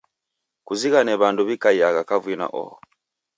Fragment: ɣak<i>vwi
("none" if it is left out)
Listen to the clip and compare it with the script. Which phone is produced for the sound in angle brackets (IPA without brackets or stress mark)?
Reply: a